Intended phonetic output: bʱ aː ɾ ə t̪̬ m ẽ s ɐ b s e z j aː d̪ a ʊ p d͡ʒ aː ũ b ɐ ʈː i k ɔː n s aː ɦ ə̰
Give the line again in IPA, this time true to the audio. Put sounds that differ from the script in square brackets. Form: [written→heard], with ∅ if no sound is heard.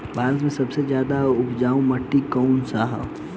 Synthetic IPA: bʱ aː ɾ ə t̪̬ m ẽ s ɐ b s e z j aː d̪ a ʊ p d͡ʒ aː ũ [b→m] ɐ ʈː i k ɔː n s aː ɦ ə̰